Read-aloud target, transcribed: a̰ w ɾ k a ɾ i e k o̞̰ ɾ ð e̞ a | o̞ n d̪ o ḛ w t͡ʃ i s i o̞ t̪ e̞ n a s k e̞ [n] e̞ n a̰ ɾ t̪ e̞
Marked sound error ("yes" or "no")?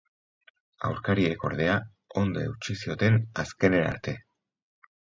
no